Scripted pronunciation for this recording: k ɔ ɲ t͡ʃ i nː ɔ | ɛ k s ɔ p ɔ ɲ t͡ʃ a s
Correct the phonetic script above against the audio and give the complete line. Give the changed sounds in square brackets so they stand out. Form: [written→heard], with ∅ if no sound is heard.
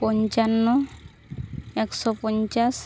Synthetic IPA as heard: [k→p] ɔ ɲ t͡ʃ [i→a] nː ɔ | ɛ k s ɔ p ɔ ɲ t͡ʃ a s